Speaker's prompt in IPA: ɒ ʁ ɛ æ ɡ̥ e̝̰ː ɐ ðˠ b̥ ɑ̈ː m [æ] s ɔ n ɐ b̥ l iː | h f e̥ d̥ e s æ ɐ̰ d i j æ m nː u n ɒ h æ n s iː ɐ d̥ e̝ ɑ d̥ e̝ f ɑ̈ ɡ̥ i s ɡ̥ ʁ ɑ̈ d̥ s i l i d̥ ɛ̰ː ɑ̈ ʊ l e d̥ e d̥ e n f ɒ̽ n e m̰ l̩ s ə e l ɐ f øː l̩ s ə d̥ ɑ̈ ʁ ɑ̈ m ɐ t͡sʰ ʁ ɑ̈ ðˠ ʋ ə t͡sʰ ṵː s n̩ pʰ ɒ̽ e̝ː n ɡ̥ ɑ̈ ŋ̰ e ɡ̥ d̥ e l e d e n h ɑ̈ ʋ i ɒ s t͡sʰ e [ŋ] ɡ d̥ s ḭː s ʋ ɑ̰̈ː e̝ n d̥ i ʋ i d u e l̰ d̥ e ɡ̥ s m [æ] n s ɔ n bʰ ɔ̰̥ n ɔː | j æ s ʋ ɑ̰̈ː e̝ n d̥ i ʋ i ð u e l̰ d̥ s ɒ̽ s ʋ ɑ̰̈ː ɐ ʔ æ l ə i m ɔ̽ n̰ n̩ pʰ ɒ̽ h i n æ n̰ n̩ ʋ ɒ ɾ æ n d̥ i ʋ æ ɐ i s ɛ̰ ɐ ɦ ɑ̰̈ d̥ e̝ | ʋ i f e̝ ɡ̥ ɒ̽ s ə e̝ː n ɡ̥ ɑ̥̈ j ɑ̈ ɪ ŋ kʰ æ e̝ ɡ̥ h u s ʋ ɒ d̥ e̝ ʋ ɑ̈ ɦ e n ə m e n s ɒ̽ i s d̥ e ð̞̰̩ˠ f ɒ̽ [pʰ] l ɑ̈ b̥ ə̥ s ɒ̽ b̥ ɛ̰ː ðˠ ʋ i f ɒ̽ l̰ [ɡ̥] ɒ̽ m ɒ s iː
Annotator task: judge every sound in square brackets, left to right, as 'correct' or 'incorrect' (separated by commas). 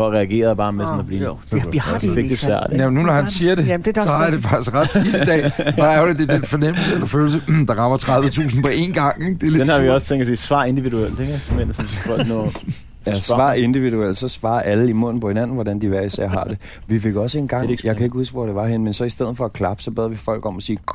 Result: incorrect, correct, incorrect, incorrect, correct